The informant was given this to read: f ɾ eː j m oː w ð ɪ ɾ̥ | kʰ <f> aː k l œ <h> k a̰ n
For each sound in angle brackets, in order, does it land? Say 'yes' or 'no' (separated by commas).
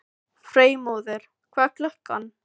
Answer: no, yes